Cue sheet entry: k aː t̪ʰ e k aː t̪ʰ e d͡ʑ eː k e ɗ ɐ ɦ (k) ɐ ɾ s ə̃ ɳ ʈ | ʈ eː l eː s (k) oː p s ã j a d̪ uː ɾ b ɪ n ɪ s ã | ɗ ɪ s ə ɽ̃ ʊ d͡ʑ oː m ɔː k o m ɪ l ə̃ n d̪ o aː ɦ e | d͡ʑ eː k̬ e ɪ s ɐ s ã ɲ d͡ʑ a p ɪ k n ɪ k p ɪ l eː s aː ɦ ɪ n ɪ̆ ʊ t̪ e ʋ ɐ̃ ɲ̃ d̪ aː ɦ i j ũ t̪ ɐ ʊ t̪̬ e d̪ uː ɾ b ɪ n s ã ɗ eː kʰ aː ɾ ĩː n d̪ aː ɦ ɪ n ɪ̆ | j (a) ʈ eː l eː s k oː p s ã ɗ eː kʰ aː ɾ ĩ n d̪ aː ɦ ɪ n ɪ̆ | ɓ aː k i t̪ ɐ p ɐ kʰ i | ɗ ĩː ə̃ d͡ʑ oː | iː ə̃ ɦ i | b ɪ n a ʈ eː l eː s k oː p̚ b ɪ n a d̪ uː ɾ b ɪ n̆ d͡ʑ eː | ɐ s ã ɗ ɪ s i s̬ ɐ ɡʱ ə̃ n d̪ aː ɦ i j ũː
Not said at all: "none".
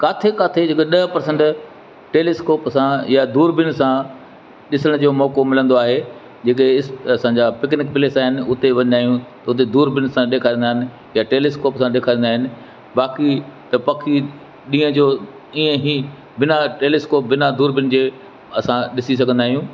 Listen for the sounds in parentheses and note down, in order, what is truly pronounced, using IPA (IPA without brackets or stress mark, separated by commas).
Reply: p, k, a